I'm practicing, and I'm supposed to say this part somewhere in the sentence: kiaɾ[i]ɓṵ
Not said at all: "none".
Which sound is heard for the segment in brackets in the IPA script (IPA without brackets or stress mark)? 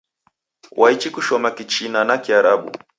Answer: a